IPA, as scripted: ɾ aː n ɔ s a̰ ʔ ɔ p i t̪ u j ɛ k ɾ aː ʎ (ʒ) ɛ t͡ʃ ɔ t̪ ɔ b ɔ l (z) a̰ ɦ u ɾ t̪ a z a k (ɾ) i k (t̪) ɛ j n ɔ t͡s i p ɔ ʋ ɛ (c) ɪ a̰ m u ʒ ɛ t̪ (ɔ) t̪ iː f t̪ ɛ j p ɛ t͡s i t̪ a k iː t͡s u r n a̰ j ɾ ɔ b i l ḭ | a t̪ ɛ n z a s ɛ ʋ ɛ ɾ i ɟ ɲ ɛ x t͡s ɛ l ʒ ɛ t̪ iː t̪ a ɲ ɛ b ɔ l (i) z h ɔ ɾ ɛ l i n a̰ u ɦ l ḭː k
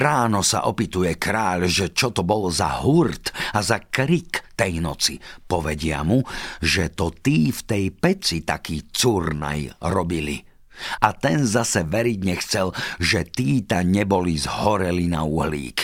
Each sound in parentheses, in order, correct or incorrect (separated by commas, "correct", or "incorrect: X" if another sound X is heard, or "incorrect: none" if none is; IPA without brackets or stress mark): correct, correct, correct, correct, incorrect: ɟ, correct, correct